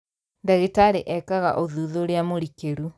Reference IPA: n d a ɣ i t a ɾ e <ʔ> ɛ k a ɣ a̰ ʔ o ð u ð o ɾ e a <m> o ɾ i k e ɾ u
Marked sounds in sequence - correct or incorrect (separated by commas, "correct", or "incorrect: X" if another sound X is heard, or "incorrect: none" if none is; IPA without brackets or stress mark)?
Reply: correct, correct